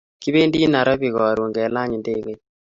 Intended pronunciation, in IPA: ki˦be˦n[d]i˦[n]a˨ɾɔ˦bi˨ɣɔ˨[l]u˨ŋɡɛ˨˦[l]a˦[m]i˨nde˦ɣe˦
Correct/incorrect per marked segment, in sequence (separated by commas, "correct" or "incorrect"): correct, correct, incorrect, correct, incorrect